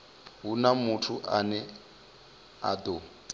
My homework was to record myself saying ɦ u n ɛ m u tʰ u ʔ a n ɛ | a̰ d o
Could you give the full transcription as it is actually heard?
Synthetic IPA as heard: ɦ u n a m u tʰ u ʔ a n ɛ | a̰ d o